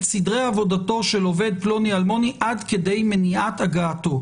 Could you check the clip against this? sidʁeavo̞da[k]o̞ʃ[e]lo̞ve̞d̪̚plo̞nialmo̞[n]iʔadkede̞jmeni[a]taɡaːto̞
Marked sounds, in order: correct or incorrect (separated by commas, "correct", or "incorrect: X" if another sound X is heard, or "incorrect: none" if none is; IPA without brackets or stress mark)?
incorrect: t, correct, correct, correct